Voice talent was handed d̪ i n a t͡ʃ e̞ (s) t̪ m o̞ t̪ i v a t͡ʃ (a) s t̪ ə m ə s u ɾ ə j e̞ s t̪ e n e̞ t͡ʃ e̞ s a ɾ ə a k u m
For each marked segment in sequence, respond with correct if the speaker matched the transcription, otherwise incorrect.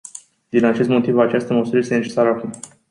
correct, correct

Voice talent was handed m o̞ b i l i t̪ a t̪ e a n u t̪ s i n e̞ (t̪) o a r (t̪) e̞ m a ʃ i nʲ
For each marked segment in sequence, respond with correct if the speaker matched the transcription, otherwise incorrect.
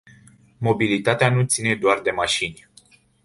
incorrect, incorrect

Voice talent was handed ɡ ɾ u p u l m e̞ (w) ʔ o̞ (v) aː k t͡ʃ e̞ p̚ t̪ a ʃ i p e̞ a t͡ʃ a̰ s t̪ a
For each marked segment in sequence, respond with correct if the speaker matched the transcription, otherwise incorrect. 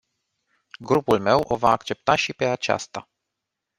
correct, correct

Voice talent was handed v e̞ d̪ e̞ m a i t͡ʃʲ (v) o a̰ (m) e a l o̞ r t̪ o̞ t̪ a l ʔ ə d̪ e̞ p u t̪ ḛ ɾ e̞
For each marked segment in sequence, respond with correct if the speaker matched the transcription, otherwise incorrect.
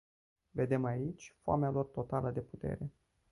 incorrect, correct

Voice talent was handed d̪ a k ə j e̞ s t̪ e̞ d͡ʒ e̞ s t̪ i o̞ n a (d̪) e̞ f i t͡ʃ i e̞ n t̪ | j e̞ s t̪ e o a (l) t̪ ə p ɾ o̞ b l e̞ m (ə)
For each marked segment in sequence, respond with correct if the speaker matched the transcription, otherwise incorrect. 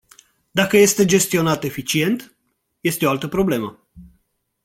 incorrect, correct, correct

